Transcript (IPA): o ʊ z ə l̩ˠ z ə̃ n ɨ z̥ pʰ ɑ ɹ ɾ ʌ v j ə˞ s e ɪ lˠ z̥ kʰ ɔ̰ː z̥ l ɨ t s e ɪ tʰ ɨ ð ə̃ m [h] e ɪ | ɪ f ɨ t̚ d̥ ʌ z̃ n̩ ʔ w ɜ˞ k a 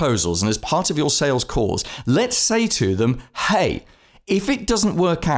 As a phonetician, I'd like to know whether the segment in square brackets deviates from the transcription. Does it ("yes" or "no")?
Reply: no